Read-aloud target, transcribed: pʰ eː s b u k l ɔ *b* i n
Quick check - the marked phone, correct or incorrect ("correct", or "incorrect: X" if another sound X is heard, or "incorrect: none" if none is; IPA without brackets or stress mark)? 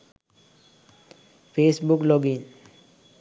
incorrect: ɡ